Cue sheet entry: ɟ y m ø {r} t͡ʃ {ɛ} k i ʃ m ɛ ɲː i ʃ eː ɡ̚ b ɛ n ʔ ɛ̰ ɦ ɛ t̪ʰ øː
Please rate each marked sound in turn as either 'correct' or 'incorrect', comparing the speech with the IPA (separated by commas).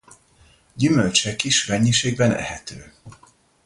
incorrect, correct